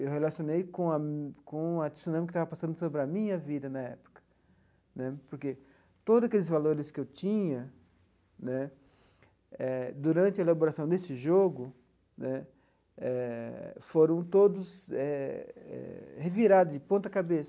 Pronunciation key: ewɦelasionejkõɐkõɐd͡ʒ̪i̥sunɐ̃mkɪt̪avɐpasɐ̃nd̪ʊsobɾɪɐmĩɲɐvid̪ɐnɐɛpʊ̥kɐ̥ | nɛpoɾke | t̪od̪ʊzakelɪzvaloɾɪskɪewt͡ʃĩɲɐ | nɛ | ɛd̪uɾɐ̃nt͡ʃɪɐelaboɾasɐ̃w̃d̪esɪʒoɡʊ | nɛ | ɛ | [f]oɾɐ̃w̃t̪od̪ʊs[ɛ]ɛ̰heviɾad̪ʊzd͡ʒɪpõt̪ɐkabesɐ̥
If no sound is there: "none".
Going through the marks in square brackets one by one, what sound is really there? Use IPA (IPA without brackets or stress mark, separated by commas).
f, ɛ